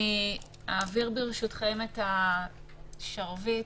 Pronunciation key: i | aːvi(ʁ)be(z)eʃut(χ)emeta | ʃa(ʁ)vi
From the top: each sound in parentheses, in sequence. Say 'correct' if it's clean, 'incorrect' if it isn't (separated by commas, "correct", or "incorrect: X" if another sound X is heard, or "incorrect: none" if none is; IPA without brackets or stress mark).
correct, incorrect: ʁ, correct, correct